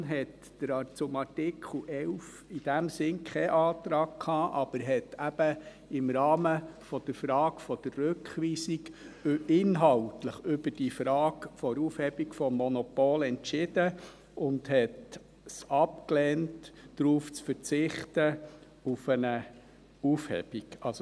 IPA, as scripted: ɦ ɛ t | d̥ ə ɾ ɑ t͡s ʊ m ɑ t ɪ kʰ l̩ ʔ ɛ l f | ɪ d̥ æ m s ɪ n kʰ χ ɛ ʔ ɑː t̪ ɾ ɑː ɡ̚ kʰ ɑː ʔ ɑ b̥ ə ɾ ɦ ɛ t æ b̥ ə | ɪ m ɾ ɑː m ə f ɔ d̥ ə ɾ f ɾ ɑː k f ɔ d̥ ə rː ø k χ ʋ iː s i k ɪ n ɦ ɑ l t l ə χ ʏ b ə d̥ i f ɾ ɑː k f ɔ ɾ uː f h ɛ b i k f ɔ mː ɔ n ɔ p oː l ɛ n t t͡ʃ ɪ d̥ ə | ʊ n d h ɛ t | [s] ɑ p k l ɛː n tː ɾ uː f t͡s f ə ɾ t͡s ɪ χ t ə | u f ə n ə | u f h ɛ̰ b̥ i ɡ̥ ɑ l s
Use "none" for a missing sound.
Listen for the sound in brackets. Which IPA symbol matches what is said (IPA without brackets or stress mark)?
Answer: s